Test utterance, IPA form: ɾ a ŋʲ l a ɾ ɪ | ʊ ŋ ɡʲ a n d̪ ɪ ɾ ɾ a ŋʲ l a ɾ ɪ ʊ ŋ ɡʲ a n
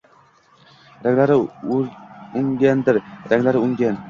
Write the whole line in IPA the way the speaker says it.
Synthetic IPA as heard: ɾ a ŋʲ l a ɾ ɪ | ʊ ŋ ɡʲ a n d̪ ɪ ɾ ɾ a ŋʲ l a ɾ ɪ ʊ ŋ ɡʲ a n